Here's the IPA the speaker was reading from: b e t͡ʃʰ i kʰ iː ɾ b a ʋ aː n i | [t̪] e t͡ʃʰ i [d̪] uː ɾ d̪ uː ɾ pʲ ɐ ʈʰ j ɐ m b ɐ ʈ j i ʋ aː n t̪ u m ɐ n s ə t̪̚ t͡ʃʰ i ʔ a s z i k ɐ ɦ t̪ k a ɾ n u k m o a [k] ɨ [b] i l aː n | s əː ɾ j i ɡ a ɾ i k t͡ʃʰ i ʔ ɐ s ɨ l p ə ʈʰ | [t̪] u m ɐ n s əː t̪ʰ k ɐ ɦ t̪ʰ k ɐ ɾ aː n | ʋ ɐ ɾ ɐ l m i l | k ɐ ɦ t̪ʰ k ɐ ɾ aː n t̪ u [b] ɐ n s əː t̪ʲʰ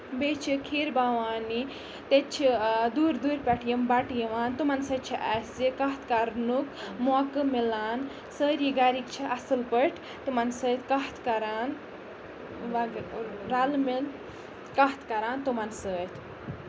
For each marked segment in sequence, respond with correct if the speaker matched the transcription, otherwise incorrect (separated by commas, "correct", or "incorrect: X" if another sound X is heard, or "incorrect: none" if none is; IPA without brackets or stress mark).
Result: correct, correct, correct, incorrect: m, correct, incorrect: m